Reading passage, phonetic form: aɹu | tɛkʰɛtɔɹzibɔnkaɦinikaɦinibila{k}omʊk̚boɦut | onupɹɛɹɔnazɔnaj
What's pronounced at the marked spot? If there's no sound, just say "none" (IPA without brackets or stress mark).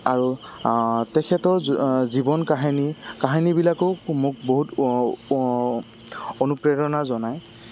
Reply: k